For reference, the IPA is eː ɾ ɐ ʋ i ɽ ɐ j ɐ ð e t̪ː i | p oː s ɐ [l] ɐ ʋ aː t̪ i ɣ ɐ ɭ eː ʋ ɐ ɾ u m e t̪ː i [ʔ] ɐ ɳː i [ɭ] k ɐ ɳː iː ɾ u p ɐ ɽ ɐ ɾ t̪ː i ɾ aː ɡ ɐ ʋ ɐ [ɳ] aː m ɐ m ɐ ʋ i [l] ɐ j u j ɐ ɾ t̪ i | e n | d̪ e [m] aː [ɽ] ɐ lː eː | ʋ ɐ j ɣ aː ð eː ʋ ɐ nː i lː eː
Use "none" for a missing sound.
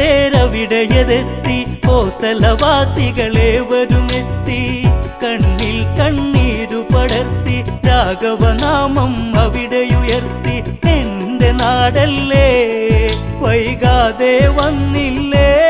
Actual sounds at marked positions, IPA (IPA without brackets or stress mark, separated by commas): l, k, l, n, ɽ, n, ɽ